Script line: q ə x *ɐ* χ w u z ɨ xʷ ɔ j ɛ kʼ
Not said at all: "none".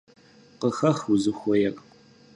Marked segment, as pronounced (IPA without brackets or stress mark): ɐ